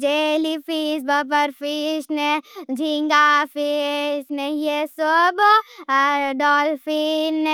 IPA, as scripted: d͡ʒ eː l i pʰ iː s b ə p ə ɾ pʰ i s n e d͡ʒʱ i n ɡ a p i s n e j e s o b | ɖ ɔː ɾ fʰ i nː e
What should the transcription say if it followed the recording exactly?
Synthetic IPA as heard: d͡ʒ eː l i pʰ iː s b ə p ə ɾ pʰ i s n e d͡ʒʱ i ŋ ɡ a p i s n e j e s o b | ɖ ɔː l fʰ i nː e